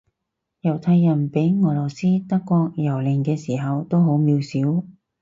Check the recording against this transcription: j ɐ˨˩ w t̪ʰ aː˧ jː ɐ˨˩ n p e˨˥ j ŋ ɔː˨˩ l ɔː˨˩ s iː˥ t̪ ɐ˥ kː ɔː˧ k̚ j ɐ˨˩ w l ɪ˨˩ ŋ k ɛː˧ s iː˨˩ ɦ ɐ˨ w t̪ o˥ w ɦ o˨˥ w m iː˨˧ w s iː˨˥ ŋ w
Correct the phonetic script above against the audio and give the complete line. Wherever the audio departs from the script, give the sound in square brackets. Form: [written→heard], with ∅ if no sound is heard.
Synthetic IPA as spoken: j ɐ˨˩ w t̪ʰ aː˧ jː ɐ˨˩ n p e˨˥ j ŋ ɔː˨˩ l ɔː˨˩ s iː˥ t̪ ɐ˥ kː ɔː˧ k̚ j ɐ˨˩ w l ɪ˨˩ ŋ k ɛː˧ s iː˨˩ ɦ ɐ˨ w t̪ o˥ w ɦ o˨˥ w m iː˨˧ w s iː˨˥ [ŋ→∅] w